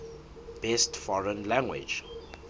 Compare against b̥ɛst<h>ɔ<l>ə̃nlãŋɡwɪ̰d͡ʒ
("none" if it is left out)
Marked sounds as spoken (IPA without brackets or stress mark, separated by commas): f, ɹ